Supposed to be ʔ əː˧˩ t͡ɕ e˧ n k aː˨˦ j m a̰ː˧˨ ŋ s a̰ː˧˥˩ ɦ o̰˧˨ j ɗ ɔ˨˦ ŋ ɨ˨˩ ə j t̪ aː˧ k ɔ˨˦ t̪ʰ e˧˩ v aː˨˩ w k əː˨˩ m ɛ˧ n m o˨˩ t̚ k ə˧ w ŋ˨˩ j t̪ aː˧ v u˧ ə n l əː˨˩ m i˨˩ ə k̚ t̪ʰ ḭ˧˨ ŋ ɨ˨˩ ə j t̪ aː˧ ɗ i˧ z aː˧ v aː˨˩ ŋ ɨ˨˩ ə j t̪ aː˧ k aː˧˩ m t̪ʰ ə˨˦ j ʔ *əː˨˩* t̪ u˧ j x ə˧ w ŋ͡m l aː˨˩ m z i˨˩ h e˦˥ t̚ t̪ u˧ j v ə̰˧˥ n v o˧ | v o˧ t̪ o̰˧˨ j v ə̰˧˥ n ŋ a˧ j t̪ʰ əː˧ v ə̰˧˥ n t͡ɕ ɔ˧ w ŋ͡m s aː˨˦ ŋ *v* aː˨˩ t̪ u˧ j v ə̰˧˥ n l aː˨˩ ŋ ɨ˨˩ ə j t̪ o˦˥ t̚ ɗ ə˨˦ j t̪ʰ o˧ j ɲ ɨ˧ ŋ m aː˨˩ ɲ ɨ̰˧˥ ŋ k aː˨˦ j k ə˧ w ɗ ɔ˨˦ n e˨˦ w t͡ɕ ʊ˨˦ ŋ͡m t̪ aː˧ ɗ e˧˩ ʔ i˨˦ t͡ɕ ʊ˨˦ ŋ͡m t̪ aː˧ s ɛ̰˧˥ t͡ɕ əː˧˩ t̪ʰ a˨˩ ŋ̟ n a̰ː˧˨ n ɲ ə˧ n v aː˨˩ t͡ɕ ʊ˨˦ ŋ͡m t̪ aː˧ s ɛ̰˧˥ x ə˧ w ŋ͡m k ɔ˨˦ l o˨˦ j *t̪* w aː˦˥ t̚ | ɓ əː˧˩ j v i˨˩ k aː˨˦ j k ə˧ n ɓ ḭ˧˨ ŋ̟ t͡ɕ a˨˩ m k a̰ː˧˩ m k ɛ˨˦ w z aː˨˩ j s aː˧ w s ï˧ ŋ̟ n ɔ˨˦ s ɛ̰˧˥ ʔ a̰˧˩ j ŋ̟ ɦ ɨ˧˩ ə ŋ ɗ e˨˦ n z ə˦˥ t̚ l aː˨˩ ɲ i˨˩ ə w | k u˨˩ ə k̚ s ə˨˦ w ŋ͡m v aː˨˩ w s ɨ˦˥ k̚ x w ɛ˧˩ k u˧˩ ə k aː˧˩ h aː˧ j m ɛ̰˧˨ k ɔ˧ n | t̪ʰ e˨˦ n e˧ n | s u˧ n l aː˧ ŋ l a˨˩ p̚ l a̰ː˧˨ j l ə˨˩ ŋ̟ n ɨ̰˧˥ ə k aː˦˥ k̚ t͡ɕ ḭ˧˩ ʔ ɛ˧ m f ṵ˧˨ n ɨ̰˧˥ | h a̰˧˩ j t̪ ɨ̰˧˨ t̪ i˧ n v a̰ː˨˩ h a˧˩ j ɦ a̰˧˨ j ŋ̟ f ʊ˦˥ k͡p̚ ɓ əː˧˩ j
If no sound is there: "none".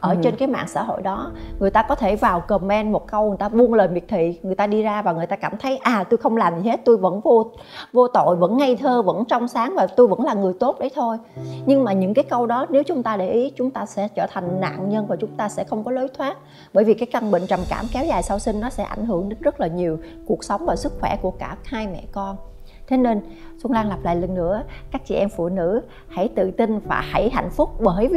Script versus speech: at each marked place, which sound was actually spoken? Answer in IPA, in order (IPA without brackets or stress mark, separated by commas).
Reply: aː˨˩, v, t̪ʰ